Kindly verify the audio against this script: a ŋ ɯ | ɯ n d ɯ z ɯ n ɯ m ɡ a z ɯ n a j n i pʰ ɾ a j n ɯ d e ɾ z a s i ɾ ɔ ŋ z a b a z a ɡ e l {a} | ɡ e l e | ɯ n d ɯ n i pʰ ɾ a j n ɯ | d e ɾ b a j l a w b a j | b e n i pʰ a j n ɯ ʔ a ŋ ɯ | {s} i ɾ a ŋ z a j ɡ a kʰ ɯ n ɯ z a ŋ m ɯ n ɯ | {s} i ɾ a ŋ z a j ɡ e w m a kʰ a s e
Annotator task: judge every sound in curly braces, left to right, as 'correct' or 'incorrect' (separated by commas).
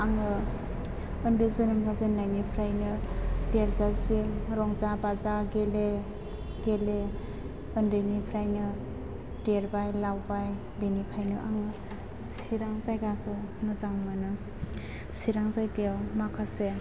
incorrect, correct, correct